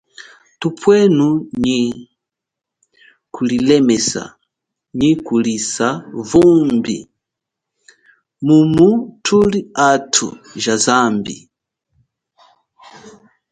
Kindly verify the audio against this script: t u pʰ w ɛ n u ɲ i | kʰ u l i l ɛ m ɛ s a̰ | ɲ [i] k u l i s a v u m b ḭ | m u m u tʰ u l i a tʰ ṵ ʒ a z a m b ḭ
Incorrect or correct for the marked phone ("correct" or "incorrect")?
correct